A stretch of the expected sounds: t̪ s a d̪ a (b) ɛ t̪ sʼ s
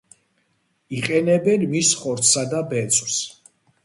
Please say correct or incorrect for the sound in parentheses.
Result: correct